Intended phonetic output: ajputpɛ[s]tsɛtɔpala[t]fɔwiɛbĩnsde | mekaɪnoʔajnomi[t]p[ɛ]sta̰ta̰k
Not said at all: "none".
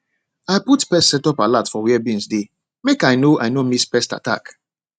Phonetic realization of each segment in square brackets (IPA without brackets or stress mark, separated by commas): s, t, s, ɛ